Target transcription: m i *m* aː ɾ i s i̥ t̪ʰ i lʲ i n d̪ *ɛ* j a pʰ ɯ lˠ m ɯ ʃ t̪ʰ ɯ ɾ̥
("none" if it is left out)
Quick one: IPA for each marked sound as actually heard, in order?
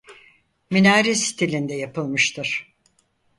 n, ɛ

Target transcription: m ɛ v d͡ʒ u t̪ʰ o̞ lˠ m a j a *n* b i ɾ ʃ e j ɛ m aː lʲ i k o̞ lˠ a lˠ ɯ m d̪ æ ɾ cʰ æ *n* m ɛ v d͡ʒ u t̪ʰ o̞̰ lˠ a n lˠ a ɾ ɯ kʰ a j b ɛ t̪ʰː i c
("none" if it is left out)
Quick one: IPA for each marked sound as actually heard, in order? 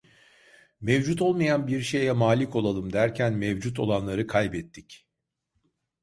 n, n

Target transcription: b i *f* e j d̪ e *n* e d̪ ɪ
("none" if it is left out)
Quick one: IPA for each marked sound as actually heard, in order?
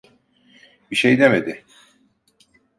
ʃ, m

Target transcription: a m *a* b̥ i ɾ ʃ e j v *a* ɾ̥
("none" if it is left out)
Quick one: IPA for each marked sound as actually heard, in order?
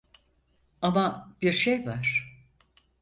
a, a

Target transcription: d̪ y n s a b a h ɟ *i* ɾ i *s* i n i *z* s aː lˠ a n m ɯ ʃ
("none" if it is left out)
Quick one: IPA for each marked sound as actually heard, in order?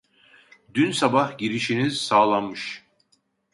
i, ʃ, z

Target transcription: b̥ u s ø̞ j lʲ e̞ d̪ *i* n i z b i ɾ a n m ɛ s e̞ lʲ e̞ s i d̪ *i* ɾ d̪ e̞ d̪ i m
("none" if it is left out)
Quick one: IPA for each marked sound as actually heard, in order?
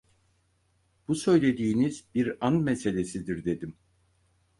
iː, i

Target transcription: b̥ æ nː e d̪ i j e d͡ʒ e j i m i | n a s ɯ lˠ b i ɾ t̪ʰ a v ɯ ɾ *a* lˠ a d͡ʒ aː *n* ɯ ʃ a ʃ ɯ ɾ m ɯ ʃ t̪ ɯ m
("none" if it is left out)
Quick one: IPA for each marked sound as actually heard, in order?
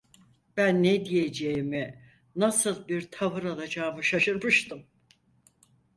a, m

